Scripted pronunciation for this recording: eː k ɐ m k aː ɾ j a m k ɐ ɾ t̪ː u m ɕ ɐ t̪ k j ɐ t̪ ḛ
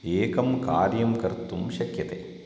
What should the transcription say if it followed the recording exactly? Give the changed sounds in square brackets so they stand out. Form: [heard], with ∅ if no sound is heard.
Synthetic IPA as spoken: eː k ɐ m k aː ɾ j [ɐ] m k ɐ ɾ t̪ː u m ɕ ɐ [∅] k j ɐ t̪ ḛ